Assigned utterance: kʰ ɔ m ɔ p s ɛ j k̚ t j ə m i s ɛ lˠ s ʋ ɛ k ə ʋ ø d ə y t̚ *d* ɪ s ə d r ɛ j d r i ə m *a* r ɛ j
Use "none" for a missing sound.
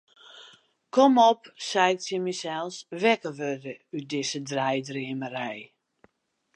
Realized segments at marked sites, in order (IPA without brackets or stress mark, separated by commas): d, ə